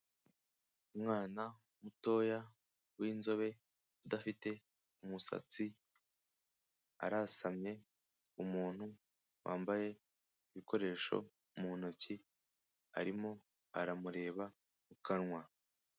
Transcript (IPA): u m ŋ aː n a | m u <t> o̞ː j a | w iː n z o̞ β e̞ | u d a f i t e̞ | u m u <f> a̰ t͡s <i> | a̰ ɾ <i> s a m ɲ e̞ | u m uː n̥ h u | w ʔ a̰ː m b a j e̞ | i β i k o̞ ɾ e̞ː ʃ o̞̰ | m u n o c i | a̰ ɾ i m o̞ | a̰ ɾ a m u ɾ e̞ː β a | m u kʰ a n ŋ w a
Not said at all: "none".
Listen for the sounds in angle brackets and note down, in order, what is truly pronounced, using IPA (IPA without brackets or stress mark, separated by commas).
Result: t, s, i, a